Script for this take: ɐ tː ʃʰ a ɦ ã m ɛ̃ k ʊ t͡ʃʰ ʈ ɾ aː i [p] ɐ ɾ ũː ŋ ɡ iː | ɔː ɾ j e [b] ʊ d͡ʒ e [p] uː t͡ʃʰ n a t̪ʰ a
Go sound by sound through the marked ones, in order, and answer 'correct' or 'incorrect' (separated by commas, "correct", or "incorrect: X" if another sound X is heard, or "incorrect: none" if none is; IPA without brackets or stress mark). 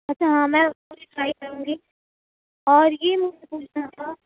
incorrect: k, incorrect: m, correct